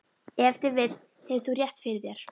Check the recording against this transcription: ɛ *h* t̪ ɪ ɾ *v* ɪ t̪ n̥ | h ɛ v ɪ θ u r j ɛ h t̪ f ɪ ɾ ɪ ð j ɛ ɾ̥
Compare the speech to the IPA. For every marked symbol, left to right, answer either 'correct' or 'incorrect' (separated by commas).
incorrect, correct